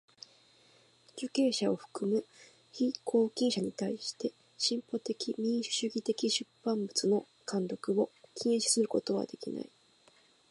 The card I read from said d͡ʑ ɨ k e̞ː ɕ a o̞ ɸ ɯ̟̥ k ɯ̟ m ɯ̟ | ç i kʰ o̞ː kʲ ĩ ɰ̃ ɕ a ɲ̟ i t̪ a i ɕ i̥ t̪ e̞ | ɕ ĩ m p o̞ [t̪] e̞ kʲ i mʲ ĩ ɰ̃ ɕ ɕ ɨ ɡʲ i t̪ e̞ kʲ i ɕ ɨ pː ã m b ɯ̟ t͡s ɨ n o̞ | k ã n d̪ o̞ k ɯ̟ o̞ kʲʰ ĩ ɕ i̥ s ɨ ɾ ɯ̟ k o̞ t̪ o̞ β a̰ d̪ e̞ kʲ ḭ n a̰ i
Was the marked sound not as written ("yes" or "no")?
no